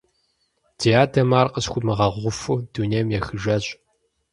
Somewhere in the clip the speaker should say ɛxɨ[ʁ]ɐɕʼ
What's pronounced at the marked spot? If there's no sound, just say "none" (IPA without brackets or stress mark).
ʒ